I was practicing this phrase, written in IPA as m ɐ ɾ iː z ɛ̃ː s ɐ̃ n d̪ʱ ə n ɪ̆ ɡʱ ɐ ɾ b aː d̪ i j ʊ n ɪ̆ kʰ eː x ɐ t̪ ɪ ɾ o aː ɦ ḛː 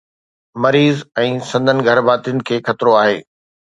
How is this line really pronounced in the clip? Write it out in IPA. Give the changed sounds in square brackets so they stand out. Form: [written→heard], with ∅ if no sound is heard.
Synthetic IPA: m ɐ ɾ iː z ɛ̃ː s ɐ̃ n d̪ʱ ə n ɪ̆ ɡʱ ɐ ɾ b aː [d̪→t̪] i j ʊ n ɪ̆ kʰ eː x ɐ t̪ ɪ ɾ o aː ɦ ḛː